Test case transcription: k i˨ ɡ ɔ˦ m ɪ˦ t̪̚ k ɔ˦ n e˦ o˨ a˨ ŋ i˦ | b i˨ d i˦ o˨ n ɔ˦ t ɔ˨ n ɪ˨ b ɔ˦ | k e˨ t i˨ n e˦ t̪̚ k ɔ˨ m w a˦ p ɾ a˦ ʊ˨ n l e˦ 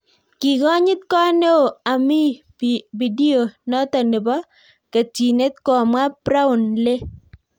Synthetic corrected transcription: k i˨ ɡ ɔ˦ ɲ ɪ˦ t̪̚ k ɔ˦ n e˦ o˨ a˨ m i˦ | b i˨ d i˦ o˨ n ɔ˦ t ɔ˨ n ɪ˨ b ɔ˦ | k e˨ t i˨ n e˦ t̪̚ k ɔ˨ m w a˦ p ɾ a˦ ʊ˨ n l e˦